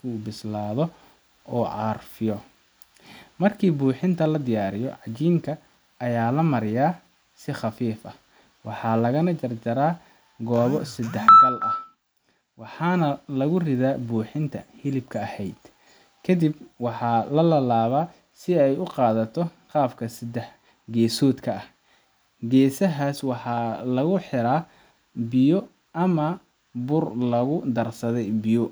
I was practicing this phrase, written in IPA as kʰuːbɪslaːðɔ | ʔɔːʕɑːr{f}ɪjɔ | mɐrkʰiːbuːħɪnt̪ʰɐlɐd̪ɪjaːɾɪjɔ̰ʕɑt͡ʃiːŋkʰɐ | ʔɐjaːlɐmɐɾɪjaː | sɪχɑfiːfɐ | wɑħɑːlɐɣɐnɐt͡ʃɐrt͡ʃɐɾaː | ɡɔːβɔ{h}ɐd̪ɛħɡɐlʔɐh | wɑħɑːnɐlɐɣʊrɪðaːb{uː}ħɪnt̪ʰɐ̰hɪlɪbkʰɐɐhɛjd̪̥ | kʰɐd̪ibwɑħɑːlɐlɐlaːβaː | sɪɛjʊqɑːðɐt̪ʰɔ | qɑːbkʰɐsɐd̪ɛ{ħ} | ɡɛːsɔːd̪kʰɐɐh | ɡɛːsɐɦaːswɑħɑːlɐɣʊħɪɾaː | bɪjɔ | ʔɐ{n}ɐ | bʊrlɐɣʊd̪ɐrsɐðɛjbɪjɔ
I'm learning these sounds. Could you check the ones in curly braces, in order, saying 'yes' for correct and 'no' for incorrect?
yes, no, yes, yes, no

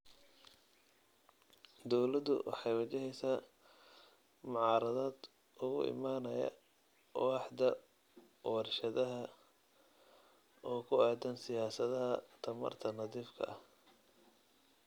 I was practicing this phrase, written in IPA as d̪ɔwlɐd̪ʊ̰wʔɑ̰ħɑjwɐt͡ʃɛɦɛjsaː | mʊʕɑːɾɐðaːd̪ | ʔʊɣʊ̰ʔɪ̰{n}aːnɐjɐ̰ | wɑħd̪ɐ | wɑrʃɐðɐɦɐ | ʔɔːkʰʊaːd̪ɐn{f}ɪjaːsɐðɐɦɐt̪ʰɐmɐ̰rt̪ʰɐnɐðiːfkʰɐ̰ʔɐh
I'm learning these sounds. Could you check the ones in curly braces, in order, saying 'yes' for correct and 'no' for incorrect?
no, no

